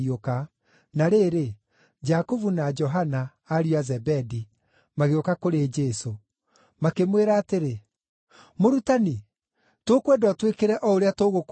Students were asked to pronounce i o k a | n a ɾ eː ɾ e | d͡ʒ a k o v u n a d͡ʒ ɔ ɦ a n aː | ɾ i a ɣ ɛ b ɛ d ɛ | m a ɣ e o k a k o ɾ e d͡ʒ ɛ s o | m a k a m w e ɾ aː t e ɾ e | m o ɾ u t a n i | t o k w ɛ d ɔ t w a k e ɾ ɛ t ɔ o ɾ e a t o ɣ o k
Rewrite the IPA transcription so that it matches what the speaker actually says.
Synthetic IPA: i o k a | n a ɾ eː ɾ e | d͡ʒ a k o v u n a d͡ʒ ɔ ɦ a n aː | ɾ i a z ɛ b ɛ d i | m a ɣ e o k a k o ɾ e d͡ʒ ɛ s o | m a k e m w e ɾ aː t e ɾ e | m o ɾ u t a n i | t o k w ɛ d ɔ t w e k e ɾ ɛ ʔ ɔ o ɾ e a t o ɣ o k